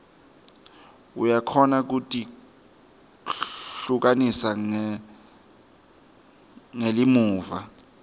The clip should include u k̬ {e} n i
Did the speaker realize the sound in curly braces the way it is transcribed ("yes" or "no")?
no